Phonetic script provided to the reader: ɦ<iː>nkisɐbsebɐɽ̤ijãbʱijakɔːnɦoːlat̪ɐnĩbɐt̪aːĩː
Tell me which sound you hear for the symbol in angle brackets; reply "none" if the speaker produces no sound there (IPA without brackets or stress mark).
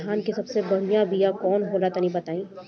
aː